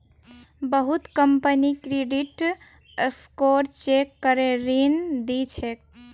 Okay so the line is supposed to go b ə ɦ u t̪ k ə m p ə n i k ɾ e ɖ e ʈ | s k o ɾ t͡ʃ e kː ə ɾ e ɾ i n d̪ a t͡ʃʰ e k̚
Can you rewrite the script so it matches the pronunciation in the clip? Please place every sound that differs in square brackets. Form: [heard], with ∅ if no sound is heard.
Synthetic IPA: b ə ɦ u t̪ k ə m p ə n i k ɾ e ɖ [i] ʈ | s k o ɾ t͡ʃ e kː ə ɾ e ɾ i n d̪ [i] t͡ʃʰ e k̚